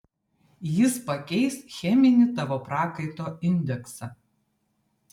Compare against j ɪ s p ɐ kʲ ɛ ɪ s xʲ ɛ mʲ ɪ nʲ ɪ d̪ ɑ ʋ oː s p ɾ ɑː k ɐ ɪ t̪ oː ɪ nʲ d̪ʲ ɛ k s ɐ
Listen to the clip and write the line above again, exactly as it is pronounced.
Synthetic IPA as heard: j ɪ s p ɐ kʲ ɛ ɪ s xʲ ɛ mʲ ɪ nʲ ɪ t̪ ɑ ʋ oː p ɾ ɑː k ɐ ɪ t̪ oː ɪ nʲ d̪ʲ ɛ k s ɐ